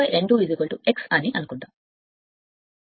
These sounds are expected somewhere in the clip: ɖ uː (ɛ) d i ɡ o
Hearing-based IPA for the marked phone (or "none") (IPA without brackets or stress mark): i